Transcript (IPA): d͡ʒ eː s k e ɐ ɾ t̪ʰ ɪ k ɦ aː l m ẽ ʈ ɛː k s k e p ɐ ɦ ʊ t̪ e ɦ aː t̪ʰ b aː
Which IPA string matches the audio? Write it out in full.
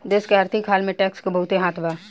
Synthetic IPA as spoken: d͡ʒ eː s k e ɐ ɾ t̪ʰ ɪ k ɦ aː l m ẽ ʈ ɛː k s k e b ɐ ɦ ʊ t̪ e ɦ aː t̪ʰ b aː